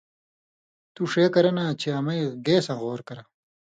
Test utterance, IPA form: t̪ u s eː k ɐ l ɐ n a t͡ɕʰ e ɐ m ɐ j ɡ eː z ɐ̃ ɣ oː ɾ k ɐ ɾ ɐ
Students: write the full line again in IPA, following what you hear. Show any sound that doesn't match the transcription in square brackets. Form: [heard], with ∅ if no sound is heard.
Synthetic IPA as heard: t̪ u [ʂ] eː k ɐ [ɾ] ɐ n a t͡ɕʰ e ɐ m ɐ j ɡ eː [s] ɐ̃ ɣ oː ɾ k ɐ ɾ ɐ